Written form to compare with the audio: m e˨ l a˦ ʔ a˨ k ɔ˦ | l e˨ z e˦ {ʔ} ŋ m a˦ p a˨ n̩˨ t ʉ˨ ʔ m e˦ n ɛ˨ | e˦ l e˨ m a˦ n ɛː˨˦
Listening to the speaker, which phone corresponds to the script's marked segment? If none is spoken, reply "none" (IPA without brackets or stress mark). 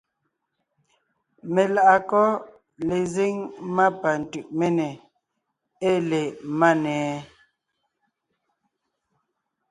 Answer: none